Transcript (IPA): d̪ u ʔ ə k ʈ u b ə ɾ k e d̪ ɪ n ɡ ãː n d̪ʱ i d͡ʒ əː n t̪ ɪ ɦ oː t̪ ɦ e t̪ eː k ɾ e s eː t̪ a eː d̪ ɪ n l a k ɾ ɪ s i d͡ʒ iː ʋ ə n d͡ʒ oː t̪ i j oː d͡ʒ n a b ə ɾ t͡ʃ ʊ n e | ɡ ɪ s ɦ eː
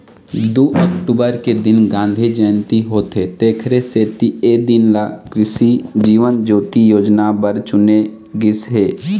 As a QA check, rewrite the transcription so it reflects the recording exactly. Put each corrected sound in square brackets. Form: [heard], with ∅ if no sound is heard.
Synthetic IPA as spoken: d̪ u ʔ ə k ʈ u b ə ɾ k e d̪ ɪ n ɡ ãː n d̪ʱ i d͡ʒ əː n t̪ [i] ɦ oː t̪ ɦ e t̪ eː [kʰ] ɾ e s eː t̪ [i] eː d̪ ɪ n l a k ɾ ɪ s i d͡ʒ iː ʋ ə n d͡ʒ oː t̪ i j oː d͡ʒ n a b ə ɾ t͡ʃ ʊ n e | ɡ ɪ s ɦ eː

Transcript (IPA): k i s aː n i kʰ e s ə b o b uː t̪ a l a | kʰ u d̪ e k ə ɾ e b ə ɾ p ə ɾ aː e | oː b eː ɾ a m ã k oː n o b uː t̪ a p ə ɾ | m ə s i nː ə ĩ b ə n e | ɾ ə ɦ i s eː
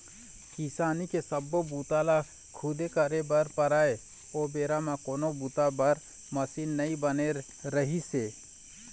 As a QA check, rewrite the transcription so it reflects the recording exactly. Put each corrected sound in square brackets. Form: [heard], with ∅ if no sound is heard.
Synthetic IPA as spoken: k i s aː n i [k] e s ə b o b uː t̪ a l a | kʰ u d̪ e k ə ɾ e b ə ɾ p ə ɾ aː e | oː b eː ɾ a m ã k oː n o b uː t̪ a [b] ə ɾ | m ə s i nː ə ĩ b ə n e | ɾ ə ɦ i s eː

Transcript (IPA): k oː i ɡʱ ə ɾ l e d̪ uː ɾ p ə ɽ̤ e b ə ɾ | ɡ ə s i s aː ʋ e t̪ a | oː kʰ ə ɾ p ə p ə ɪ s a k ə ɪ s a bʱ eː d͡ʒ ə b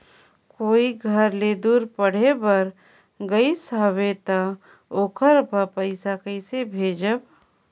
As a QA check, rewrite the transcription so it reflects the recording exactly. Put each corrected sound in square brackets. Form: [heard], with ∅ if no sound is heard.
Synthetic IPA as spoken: k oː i ɡʱ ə ɾ l e d̪ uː ɾ p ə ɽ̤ e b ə ɾ | ɡ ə [∅] i s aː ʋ e t̪ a | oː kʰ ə ɾ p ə p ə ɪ s a k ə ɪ s [e] bʱ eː d͡ʒ ə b

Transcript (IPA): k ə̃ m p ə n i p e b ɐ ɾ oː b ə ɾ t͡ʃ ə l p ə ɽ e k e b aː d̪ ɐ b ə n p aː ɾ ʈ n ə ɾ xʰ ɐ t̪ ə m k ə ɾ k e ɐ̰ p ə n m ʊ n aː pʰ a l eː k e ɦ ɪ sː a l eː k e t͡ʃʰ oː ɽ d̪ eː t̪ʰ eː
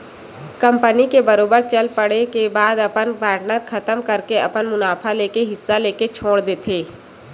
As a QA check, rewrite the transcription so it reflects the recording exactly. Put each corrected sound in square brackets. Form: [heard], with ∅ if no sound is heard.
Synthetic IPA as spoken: k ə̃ m p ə n i [k] e b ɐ ɾ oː b ə ɾ t͡ʃ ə l p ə ɽ e k e b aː d̪ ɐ [p] ə n p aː ɾ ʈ n ə ɾ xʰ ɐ t̪ ə m k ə ɾ k e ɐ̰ p ə n m ʊ n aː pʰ a l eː k e ɦ ɪ sː a l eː k e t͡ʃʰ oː ɽ d̪ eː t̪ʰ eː

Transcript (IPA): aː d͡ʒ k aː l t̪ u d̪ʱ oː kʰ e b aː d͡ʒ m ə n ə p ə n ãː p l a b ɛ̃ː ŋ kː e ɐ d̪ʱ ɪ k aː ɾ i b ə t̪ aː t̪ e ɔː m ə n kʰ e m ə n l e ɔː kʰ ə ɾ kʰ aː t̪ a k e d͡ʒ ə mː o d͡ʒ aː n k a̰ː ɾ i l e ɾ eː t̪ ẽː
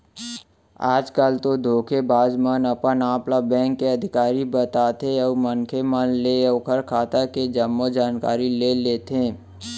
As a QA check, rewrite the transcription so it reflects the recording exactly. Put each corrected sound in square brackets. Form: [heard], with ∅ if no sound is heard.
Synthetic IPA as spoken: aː d͡ʒ k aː l t̪ [o] d̪ʱ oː kʰ e b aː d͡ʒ m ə n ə p ə n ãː p l a b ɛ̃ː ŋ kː e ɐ d̪ʱ ɪ k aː ɾ i b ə t̪ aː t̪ e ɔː m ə n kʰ e m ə n l e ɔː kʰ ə ɾ kʰ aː t̪ a k e d͡ʒ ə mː o d͡ʒ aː n k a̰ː ɾ i l e [l] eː t̪ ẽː

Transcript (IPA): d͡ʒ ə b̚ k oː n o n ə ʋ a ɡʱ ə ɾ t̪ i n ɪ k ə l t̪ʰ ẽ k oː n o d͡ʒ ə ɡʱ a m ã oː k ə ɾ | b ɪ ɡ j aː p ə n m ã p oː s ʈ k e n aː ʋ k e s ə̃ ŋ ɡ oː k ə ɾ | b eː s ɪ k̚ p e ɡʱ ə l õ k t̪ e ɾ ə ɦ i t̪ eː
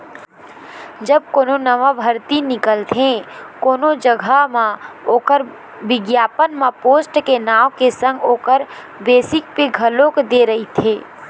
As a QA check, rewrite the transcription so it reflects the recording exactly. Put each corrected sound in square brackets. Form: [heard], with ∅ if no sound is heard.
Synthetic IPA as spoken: d͡ʒ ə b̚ k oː n o n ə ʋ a [bʱ] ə ɾ t̪ i n ɪ k ə l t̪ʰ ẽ k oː n o d͡ʒ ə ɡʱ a m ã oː k ə ɾ | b ɪ ɡ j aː p ə n m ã p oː s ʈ k e n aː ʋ k e s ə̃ ŋ ɡ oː k ə ɾ | b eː s ɪ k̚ p e ɡʱ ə l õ k [d̪] e ɾ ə ɦ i [t̪ʰ] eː

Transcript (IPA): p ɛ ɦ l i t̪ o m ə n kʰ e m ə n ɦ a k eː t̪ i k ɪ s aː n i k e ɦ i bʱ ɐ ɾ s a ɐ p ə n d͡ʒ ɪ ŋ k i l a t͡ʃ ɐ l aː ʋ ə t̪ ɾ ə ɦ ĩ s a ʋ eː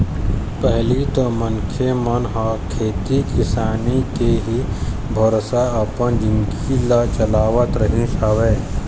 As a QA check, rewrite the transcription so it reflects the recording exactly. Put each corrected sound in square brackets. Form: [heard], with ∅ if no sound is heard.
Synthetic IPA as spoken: p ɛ ɦ l i t̪ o m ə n kʰ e m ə n ɦ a [kʰ] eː t̪ i k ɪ s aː n i k e ɦ i bʱ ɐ ɾ s a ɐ p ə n d͡ʒ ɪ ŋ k i l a t͡ʃ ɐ l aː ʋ ə t̪ ɾ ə ɦ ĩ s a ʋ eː

